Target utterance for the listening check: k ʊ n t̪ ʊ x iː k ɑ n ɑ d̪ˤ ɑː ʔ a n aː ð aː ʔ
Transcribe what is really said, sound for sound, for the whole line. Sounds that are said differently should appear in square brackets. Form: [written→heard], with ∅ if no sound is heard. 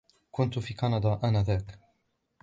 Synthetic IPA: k ʊ n t̪ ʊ [x→f] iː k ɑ n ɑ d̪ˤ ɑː ʔ a n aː ð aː [ʔ→k]